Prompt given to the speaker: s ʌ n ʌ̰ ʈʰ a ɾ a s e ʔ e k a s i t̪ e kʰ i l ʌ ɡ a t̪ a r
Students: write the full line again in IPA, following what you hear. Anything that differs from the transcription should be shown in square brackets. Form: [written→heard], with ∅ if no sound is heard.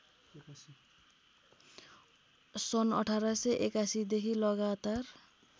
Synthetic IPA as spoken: s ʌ n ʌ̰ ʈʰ a ɾ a s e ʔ e k a s i [t̪→d̪] e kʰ i l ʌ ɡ a t̪ a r

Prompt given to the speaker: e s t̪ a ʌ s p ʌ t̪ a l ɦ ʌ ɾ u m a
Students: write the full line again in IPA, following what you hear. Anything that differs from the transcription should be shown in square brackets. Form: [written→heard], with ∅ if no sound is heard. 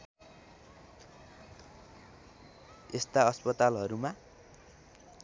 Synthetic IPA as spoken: e s t̪ a ʌ s p ʌ t̪ a l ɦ ʌ ɾ u m a

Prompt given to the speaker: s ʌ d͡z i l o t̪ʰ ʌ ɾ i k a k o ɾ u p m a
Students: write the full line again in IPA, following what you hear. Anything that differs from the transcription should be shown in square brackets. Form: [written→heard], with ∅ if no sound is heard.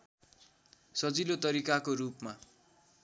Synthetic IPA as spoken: s ʌ d͡z i l o [t̪ʰ→t̪] ʌ ɾ i k a k o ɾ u p m a

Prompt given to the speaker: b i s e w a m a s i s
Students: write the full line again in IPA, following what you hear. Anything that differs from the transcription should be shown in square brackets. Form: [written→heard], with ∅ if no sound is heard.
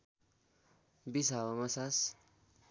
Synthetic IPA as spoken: b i s [e→a] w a m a s [i→a] s

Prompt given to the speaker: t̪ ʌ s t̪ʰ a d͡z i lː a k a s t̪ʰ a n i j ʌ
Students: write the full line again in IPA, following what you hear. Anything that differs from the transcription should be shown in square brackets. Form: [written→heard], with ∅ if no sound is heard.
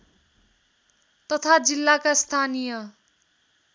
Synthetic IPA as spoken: t̪ ʌ [s→∅] t̪ʰ a d͡z i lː a k a s t̪ʰ a n i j ʌ

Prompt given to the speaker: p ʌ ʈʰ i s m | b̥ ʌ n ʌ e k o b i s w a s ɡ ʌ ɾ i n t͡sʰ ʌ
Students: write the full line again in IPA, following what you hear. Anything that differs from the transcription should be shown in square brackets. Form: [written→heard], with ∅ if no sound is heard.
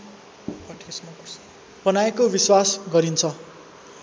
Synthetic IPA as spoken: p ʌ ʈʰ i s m | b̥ ʌ n [ʌ→a] e k o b i s w a s ɡ ʌ ɾ i n t͡sʰ ʌ

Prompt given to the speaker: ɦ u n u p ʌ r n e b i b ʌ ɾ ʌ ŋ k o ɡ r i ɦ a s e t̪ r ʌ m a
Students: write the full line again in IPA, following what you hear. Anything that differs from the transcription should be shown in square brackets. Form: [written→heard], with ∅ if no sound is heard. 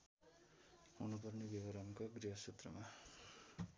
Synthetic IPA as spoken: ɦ u n u p ʌ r n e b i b ʌ ɾ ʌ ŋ k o ɡ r i ɦ [a→ʌ] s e t̪ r ʌ m a

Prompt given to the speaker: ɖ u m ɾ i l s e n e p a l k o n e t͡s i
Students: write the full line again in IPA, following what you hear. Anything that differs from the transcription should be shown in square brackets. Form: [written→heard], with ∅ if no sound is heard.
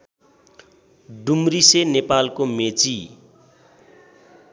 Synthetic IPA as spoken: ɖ u m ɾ i [l→∅] s e n e p a l k o [n→m] e t͡s i

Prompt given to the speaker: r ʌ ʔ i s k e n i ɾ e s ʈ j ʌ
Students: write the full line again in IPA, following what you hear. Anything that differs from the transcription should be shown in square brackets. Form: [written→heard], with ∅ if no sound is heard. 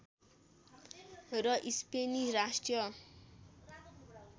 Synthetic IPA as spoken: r ʌ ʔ i s [k→p] e n i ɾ [e→a] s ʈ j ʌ

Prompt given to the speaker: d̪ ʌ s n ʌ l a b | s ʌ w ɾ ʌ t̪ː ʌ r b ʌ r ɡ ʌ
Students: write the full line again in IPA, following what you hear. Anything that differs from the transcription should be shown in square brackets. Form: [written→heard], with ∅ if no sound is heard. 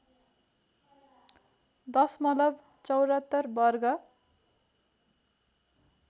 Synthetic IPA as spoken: d̪ ʌ s [n→m] ʌ l [a→ʌ] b | [s→t͡s] ʌ w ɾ ʌ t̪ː ʌ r b ʌ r ɡ ʌ

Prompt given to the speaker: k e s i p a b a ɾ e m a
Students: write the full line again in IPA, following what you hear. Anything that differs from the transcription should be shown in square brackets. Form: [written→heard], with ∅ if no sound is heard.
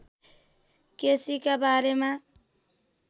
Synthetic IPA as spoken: k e s i [p→k] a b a ɾ e m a

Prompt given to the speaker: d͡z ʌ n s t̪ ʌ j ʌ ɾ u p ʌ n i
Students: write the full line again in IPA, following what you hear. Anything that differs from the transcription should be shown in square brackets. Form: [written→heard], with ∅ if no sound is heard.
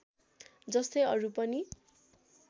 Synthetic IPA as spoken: d͡z ʌ [n→∅] s t̪ ʌ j ʌ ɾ u p ʌ n i

